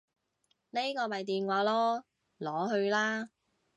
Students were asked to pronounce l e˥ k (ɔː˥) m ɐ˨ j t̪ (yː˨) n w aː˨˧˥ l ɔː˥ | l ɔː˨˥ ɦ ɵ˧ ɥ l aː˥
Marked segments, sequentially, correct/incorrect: incorrect, incorrect

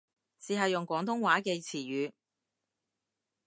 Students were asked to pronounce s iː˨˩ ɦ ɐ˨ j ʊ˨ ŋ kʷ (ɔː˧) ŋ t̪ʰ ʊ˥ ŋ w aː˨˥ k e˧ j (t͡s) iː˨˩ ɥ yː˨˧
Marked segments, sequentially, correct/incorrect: incorrect, incorrect

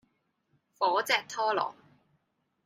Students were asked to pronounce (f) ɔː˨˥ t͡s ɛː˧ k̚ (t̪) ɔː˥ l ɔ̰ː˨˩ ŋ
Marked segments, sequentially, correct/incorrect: correct, incorrect

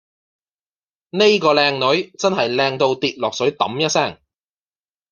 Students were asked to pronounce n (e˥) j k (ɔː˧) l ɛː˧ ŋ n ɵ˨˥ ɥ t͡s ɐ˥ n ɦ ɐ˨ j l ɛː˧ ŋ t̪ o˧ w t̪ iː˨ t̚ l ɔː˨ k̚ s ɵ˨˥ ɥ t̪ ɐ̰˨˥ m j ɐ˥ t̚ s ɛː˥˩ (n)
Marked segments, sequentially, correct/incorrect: correct, correct, incorrect

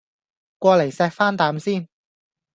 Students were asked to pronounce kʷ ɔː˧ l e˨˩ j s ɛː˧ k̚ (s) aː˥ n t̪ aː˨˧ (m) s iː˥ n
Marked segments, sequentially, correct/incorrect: incorrect, correct

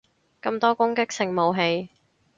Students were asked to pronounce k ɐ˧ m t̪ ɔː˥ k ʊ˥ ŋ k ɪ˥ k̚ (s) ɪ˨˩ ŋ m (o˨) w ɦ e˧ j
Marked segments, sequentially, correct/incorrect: correct, correct

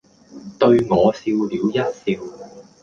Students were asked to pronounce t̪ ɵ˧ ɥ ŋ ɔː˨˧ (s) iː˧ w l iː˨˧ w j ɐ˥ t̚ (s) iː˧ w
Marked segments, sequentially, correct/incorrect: correct, correct

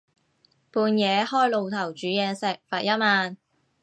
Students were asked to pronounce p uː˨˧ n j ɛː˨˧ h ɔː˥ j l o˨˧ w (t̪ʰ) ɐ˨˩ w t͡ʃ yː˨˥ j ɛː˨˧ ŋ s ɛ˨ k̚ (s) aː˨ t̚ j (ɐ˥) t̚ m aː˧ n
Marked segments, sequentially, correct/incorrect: correct, incorrect, correct

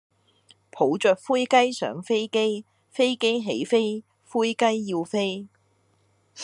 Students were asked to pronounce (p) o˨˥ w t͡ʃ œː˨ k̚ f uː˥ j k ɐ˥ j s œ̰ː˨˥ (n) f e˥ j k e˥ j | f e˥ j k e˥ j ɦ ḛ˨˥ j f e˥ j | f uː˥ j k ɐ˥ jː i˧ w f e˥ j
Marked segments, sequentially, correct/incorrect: incorrect, incorrect

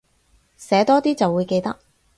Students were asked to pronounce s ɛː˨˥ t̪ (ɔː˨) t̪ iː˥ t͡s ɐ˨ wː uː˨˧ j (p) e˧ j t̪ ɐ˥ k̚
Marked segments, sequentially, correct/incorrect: incorrect, incorrect

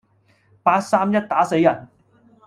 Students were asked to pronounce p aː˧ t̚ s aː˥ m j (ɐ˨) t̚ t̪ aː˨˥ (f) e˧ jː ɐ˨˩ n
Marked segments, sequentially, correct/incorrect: incorrect, incorrect

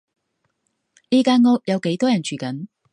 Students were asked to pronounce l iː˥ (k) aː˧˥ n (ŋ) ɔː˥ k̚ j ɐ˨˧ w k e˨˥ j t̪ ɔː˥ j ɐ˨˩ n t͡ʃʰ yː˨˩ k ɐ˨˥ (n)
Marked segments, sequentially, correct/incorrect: correct, correct, correct

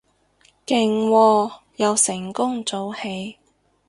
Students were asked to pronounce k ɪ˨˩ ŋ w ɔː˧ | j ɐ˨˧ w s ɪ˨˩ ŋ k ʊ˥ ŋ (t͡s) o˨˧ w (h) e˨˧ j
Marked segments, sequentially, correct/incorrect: correct, correct

